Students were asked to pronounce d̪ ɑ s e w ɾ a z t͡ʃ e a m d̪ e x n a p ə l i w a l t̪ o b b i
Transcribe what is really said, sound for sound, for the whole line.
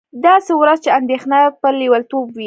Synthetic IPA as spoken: d̪ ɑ s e w ɾ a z t͡ʃ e a n d̪ e x n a p ə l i w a l t̪ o b w i